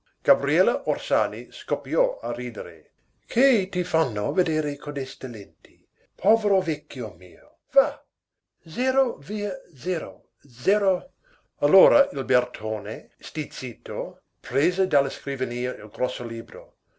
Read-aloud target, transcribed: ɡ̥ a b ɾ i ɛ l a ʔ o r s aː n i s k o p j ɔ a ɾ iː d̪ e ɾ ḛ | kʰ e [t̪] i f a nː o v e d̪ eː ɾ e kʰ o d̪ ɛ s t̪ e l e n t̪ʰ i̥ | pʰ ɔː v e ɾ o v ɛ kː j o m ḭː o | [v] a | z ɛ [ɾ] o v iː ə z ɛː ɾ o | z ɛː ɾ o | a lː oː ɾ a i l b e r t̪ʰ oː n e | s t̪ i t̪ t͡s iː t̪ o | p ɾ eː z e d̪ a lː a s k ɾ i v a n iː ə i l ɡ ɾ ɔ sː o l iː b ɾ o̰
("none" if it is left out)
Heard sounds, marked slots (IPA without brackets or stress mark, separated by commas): t̪, v, ɾ